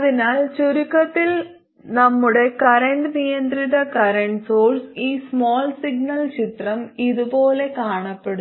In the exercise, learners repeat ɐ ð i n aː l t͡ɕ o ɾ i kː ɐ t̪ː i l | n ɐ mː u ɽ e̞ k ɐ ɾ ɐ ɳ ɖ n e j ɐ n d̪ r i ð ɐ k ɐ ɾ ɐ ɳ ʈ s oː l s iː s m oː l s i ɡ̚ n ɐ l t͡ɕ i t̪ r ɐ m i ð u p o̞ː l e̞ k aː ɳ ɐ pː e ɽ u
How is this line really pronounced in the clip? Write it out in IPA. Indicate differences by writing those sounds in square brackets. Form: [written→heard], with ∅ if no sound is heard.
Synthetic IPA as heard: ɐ ð i n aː l t͡ɕ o ɾ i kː ɐ t̪ː i l | n ɐ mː u ɽ e̞ k ɐ ɾ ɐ ɳ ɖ n [e→i] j ɐ n d̪ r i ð ɐ k ɐ ɾ ɐ ɳ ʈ s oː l s iː s m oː l s i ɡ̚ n ɐ l t͡ɕ i t̪ r ɐ m i ð u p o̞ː l e̞ k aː ɳ ɐ pː e ɽ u